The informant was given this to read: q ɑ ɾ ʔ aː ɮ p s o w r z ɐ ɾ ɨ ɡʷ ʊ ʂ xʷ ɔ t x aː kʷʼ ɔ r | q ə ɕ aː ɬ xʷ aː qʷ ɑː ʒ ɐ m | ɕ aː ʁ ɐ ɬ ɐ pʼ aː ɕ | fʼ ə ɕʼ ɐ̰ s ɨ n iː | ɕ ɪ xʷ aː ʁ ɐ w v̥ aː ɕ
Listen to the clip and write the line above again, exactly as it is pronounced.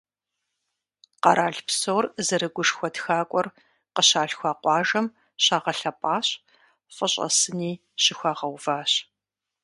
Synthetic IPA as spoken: q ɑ ɾ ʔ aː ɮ p s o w r z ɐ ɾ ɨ ɡʷ ʊ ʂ xʷ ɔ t x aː kʷʼ ɔ r | q ə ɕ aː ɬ xʷ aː qʷ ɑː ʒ ɐ m | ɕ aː ʁ ɐ ɬ ɐ pʼ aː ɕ | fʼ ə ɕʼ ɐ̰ s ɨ n iː | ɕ ɪ xʷ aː ʁ ɐ w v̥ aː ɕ